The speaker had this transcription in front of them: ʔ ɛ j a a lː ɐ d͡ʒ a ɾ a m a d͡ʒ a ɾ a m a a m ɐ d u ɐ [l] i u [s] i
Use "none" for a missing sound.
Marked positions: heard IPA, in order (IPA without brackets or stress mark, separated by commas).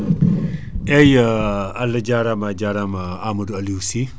l, s